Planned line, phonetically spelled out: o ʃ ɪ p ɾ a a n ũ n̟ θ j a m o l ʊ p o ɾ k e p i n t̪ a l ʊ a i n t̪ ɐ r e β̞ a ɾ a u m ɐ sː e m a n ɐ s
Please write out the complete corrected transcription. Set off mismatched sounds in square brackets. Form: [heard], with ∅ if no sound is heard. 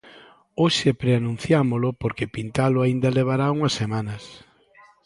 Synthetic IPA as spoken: o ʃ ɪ p ɾ [e] a n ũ n̟ θ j a m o l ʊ p o ɾ k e p i n t̪ a l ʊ a i n [d̪] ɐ [l] e β̞ a ɾ a u [ŋ] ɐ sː e m a n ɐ s